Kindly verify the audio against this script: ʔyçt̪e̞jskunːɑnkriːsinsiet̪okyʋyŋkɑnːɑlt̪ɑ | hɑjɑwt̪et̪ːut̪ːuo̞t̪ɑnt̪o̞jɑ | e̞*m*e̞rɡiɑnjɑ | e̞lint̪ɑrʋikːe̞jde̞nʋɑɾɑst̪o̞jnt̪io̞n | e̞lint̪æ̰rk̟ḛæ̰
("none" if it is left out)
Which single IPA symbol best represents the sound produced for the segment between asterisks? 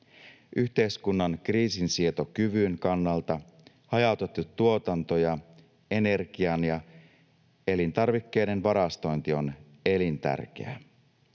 n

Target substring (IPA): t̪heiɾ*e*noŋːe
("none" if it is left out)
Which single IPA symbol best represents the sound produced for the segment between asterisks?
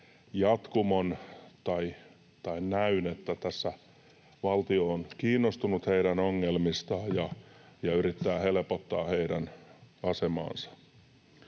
æ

